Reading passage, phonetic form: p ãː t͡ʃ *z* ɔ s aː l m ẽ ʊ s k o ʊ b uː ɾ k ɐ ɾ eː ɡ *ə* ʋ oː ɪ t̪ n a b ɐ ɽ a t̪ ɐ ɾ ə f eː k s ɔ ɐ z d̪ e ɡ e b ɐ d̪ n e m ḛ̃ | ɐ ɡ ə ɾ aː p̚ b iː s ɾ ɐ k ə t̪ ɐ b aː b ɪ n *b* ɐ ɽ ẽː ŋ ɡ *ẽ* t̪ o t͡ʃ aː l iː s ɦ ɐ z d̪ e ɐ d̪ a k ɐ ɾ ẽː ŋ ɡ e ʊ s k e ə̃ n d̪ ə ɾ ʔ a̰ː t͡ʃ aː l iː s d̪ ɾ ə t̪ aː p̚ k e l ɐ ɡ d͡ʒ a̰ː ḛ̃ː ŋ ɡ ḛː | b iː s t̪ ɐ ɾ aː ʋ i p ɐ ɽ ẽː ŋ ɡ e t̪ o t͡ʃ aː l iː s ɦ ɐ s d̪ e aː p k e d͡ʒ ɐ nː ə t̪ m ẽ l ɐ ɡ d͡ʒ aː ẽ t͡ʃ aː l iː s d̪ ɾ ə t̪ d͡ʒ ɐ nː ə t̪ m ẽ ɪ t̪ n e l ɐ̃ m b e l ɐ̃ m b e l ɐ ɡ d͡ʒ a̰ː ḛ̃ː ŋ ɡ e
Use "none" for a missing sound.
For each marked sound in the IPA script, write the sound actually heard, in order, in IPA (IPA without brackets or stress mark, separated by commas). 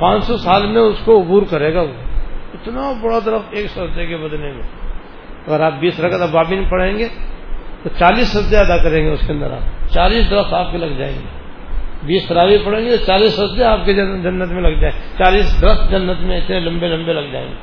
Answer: s, a, p, e